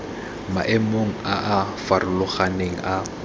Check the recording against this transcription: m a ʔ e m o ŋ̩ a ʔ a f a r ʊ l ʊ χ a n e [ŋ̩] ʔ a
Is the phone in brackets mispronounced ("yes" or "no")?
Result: no